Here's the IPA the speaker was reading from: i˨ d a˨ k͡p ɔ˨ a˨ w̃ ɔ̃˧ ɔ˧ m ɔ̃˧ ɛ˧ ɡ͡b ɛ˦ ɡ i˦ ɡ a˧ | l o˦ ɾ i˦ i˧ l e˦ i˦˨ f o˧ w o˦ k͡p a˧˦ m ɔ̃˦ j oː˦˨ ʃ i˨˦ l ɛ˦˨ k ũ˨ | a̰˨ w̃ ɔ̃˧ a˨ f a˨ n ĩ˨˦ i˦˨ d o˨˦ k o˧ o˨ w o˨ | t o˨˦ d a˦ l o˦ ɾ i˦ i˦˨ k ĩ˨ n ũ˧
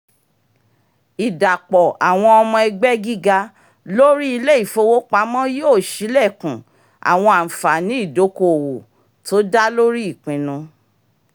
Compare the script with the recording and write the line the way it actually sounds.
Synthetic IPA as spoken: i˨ d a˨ k͡p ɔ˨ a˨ w̃ ɔ̃˧ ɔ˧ m ɔ̃˧ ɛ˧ ɡ͡b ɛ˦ ɡ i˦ ɡ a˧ | l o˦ ɾ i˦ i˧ l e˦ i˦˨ f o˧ w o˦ k͡p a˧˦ m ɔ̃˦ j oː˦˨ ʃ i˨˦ l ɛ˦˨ k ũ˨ | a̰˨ w̃ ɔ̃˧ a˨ f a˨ n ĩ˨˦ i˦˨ d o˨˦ k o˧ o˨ w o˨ | t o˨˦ d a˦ l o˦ ɾ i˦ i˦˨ k͡p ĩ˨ n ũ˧

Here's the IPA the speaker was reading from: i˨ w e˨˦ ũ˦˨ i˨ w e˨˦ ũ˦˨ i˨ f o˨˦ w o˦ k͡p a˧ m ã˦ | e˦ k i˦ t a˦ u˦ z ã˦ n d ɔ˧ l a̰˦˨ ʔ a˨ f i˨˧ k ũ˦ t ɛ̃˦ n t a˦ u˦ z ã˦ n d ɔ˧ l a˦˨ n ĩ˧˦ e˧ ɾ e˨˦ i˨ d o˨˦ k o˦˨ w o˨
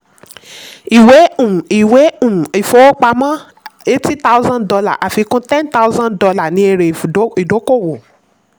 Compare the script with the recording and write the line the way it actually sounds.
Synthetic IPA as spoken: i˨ w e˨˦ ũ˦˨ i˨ w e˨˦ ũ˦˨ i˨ f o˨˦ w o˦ k͡p a˧ m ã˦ | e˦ t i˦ t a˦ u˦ z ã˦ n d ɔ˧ l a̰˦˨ ʔ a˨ f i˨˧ k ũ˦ t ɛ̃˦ n t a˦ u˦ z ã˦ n d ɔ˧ l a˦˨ n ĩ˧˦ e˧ ɾ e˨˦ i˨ d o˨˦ k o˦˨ w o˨

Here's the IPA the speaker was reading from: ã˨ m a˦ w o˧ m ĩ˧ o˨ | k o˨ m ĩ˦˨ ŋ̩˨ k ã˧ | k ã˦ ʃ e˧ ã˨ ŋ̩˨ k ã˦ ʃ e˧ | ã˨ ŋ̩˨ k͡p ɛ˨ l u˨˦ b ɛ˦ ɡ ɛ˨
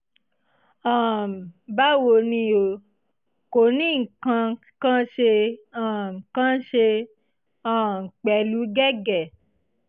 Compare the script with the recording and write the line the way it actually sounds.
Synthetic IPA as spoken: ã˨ b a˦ w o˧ n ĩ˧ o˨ | k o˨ n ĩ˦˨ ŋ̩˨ k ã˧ | k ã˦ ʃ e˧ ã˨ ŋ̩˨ k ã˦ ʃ e˧ | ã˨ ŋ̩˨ k͡p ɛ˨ l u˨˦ ɡ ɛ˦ ɡ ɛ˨

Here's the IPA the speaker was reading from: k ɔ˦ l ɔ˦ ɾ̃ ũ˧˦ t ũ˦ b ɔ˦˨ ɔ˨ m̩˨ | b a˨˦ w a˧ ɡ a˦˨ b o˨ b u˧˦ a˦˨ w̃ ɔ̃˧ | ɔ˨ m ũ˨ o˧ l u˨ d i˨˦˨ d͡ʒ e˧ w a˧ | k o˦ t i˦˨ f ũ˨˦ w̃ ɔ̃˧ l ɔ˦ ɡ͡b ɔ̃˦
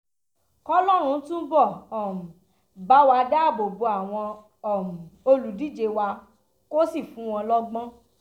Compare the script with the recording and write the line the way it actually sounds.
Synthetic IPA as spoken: k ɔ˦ l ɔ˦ ɾ̃ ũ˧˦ t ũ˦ b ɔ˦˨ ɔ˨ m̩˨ | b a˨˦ w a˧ d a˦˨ b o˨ b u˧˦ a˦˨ w̃ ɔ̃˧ | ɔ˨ m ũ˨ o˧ l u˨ d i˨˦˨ d͡ʒ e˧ w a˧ | k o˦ s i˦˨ f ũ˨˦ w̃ ɔ̃˧ l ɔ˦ ɡ͡b ɔ̃˦

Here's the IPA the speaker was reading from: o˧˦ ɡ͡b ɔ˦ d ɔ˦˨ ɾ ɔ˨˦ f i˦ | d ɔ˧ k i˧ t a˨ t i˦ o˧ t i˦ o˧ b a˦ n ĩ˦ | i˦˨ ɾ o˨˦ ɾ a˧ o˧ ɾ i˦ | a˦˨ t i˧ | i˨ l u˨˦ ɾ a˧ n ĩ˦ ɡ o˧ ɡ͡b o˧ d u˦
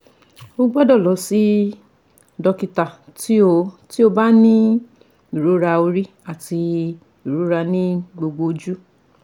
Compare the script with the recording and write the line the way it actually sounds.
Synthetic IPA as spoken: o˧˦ ɡ͡b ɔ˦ d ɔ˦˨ l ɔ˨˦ s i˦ | d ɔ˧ k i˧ t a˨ t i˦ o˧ t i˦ o˧ b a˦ n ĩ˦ | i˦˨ ɾ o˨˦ ɾ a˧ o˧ ɾ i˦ | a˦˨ t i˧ | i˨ ɾ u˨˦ ɾ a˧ n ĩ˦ ɡ͡b o˧ ɡ͡b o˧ d͡ʒ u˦

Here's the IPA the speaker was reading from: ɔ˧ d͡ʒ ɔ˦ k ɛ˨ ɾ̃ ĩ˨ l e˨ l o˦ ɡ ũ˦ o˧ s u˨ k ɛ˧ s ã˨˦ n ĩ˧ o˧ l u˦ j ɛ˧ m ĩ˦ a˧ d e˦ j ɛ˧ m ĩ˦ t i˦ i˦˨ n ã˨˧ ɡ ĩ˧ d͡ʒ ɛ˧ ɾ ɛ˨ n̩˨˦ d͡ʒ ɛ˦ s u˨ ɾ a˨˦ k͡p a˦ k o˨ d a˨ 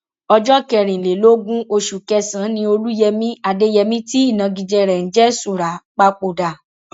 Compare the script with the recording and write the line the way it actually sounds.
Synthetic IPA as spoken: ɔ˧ d͡ʒ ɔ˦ k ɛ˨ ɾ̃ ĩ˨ l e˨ l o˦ ɡ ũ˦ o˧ ʃ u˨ k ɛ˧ s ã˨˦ n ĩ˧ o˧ l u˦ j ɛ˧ m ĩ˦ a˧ d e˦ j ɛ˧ m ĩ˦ t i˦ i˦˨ n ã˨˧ ɡ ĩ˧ d͡ʒ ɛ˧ ɾ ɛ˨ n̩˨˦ d͡ʒ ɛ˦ s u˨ ɾ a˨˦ k͡p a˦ k͡p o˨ d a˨

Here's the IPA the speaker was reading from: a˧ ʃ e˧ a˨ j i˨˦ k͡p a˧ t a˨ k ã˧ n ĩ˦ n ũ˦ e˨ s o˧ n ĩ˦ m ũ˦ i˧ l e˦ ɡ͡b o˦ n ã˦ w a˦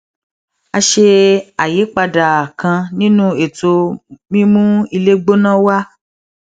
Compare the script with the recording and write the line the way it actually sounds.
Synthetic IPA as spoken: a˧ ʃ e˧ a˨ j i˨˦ k͡p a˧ d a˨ k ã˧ n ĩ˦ n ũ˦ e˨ t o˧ m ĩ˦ m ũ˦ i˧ l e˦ ɡ͡b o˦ n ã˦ w a˦

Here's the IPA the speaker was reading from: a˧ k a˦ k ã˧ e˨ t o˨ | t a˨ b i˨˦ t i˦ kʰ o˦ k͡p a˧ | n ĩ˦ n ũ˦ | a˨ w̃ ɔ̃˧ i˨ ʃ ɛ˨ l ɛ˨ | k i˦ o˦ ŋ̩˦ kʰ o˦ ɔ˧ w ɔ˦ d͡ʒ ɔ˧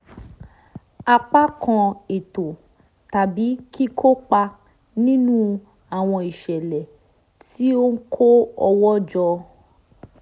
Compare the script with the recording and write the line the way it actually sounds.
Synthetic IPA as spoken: a˧ k͡p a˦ k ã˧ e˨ t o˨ | t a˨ b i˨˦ k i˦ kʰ o˦ k͡p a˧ | n ĩ˦ n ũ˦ | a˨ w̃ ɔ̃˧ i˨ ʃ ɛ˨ l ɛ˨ | t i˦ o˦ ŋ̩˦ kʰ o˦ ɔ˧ w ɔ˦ d͡ʒ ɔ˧

